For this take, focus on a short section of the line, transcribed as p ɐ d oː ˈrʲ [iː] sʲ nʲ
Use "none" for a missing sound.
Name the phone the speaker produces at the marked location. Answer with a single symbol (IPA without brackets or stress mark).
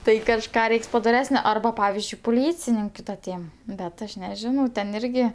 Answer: æː